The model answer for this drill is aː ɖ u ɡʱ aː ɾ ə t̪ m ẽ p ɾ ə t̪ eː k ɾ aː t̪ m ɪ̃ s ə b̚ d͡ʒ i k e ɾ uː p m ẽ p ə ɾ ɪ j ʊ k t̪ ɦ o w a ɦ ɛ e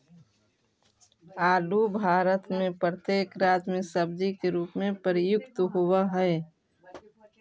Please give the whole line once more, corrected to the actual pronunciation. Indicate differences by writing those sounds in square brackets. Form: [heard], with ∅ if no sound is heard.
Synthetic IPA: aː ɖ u [bʱ] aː ɾ ə t̪ m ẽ p ɾ ə t̪ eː k ɾ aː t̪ m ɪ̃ s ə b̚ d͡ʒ i k e ɾ uː p m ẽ p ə ɾ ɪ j ʊ k t̪ ɦ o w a ɦ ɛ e